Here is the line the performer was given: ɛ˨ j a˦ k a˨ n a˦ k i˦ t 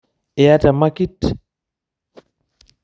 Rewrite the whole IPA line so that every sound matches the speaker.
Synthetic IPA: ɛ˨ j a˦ t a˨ m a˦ k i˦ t